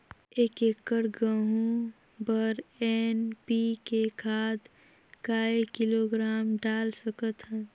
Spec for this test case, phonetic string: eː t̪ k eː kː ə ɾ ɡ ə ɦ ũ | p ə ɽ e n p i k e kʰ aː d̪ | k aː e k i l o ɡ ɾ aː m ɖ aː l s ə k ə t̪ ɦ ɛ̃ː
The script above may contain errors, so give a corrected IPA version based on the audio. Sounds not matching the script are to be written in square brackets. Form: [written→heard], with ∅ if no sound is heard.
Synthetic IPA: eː [t̪→∅] k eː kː ə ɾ ɡ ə ɦ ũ | [p→b] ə [ɽ→ɾ] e n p i k e kʰ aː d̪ | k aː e k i l o ɡ ɾ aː m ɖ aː l s ə k ə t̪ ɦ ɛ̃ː